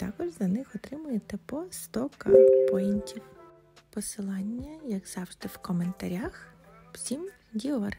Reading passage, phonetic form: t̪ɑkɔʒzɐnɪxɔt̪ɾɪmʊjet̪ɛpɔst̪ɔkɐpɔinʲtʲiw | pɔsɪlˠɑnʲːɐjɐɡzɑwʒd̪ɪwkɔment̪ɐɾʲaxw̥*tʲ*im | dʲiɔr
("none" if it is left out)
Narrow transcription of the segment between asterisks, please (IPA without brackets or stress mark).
sʲ